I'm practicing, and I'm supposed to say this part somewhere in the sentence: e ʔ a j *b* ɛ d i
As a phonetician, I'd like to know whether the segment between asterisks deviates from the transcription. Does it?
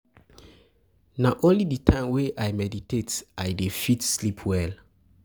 yes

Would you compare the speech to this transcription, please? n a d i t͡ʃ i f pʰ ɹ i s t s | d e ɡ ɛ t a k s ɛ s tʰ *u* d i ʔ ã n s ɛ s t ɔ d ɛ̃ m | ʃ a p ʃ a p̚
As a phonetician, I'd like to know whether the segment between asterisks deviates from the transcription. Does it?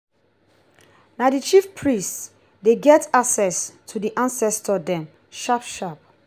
no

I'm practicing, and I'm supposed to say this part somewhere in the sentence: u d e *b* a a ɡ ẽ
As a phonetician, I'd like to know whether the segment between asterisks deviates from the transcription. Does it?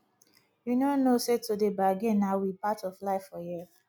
no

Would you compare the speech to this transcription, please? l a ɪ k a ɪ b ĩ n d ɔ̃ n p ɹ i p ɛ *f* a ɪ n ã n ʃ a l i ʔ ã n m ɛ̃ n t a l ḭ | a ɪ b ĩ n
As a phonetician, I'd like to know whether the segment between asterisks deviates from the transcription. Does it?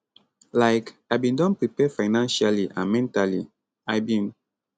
no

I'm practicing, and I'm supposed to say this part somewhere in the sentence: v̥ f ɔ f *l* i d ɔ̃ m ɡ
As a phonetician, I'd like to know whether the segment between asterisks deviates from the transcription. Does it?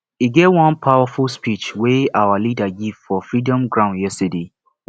yes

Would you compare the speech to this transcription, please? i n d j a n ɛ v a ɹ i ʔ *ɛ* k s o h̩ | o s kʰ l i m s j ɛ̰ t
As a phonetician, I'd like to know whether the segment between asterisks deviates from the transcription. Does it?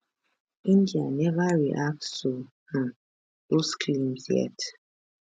yes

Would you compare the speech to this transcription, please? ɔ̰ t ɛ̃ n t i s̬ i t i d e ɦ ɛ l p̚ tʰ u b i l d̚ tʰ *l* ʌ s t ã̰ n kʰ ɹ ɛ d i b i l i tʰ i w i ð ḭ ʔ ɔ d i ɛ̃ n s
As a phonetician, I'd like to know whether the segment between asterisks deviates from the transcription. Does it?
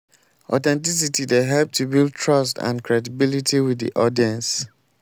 yes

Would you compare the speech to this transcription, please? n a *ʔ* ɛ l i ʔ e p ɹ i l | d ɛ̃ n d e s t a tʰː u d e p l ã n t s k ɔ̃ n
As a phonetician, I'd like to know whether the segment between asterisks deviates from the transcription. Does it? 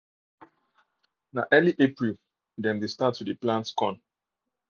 no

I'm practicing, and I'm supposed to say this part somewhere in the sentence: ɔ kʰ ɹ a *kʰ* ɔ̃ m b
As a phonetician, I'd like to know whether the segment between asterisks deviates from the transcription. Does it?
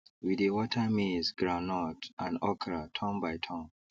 yes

